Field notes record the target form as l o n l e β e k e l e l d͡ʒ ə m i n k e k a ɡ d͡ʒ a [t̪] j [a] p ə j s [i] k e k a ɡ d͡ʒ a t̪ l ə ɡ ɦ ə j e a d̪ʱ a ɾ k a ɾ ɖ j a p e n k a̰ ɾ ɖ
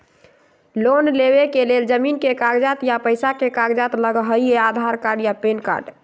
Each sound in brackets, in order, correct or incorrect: correct, correct, incorrect: a

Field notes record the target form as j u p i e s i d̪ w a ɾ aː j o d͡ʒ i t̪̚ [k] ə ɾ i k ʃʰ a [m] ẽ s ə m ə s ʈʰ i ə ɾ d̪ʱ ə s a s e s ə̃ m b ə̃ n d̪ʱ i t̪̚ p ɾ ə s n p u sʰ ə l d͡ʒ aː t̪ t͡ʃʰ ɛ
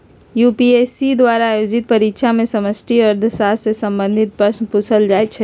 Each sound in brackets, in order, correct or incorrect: incorrect: p, correct

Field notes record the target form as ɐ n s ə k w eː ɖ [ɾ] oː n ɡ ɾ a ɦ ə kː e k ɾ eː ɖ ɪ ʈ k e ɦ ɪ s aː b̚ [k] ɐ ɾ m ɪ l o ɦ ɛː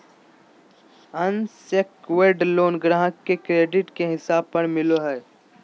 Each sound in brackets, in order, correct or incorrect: incorrect: l, incorrect: p

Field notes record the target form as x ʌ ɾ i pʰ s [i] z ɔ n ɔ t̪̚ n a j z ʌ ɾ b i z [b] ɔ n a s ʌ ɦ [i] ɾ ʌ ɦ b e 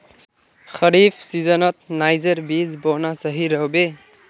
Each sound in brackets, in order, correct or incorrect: correct, correct, correct

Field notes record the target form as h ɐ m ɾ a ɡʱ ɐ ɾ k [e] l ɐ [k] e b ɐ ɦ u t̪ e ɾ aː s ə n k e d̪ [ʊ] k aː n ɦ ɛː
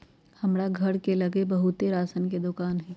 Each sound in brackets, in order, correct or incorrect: correct, incorrect: ɡ, correct

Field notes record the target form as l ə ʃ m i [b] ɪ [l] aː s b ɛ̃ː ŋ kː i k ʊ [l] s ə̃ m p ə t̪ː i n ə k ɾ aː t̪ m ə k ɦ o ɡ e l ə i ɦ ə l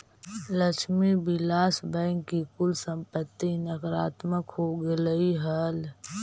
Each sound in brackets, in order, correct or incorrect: correct, correct, correct

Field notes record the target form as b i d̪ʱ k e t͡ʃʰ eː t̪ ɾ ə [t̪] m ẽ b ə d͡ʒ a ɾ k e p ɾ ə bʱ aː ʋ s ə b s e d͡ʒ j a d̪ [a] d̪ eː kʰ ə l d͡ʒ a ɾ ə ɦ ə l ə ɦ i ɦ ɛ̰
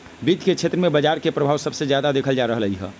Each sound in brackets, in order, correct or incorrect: incorrect: none, correct

